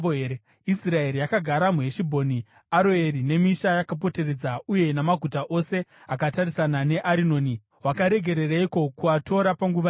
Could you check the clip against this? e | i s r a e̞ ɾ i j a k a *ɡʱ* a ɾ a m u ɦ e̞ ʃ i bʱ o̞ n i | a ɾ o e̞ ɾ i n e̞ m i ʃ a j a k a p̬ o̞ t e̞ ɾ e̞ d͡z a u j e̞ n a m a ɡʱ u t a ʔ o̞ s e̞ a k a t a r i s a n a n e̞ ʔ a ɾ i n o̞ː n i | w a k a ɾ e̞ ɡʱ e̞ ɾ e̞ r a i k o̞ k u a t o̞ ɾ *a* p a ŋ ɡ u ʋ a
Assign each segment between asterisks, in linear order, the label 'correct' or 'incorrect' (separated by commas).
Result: correct, correct